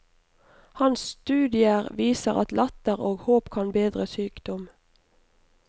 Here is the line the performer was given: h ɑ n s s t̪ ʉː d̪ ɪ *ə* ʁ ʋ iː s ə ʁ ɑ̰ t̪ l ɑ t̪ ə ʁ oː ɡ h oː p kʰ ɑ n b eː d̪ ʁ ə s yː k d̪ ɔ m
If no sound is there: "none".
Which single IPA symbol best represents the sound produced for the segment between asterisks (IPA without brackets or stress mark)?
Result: ə